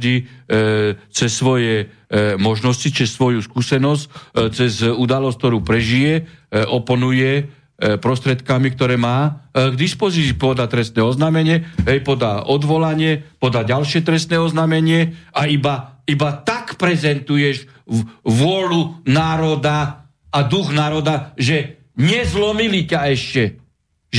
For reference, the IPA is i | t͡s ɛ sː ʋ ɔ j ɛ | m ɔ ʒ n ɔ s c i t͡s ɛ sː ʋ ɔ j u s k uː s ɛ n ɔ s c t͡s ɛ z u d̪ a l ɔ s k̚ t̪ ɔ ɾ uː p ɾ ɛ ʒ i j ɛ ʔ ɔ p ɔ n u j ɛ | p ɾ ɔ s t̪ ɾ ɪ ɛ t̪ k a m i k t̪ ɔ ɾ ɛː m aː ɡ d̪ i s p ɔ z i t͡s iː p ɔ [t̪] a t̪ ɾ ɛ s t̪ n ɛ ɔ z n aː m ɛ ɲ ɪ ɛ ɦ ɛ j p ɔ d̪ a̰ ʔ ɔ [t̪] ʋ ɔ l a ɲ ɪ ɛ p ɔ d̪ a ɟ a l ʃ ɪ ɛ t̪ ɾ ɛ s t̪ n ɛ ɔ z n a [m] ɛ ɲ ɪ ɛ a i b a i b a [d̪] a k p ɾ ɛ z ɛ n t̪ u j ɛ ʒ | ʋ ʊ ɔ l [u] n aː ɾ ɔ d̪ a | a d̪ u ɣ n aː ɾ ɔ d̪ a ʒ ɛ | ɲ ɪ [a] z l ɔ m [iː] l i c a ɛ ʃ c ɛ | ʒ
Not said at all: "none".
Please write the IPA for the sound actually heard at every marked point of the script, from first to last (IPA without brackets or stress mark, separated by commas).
d̪, d̪, m, t̪, u, ɛ, i